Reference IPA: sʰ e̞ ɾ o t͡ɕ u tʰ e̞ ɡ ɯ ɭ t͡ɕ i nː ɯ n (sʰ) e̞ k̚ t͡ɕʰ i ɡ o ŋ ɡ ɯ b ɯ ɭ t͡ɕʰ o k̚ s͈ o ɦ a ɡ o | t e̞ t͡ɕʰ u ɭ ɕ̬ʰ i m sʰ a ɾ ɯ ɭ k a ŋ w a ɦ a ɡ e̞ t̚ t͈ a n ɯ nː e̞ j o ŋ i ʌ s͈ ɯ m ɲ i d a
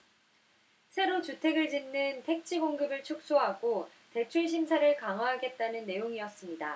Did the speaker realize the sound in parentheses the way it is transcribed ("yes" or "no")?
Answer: no